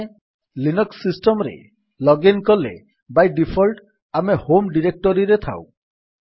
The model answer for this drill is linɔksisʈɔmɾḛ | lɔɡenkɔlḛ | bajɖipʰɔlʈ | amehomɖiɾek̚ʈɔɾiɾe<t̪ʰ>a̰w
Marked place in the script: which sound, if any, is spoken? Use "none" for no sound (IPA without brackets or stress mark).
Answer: t̪ʰ